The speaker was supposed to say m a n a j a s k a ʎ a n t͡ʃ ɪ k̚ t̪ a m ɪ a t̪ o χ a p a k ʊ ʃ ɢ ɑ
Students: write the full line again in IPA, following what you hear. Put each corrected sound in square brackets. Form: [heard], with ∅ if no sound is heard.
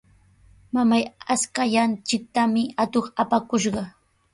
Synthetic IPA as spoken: m a [m] a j a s k a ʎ a n t͡ʃ ɪ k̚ t̪ a m ɪ a t̪ o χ a p a k ʊ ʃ ɢ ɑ